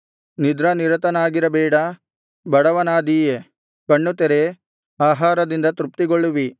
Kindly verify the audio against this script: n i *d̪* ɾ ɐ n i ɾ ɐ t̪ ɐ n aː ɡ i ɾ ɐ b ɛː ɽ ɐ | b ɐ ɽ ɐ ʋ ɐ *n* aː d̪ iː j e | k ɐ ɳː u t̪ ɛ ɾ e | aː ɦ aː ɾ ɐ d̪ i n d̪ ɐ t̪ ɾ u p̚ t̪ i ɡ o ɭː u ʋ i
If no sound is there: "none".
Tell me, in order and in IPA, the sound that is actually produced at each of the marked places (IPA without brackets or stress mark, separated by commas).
d̪, n